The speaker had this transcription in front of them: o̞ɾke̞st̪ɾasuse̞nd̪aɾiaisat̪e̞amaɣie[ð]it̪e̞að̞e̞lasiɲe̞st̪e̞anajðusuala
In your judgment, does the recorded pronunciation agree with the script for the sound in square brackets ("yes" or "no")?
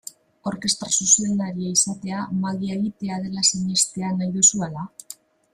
no